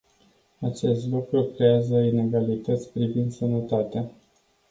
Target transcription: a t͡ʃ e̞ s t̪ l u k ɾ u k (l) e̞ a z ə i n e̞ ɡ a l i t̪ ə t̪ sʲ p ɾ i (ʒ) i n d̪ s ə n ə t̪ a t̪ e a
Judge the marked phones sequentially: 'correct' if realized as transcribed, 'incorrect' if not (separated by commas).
incorrect, incorrect